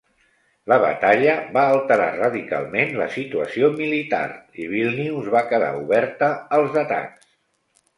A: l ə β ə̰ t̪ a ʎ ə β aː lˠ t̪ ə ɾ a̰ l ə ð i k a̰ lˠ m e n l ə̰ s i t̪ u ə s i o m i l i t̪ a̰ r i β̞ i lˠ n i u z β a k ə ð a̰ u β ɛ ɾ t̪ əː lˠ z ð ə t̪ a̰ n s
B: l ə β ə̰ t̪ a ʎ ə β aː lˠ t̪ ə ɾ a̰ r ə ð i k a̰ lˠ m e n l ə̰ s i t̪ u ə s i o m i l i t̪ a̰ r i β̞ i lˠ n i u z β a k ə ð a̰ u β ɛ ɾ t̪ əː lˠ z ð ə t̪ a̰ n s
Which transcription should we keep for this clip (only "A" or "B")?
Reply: B